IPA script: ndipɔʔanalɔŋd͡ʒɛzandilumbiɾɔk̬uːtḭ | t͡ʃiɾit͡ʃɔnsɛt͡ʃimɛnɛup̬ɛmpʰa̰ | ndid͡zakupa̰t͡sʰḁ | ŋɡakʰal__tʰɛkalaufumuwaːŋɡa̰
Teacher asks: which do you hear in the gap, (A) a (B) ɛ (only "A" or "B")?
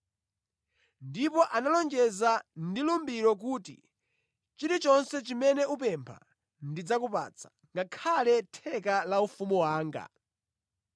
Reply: B